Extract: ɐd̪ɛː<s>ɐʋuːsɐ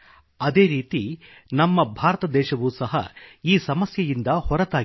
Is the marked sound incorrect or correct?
incorrect